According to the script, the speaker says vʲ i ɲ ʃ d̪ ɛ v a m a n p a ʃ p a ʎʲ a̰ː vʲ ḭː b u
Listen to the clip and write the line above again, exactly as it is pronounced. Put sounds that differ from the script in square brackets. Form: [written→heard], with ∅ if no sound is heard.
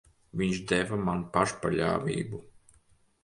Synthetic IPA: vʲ i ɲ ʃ d̪ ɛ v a m a n p a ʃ p a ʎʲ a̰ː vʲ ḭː b u